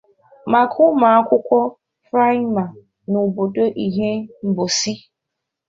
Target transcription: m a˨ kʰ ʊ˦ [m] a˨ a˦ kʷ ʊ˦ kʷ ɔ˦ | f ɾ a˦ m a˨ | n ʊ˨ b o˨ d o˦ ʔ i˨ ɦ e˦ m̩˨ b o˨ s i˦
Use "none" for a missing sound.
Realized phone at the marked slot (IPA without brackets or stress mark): m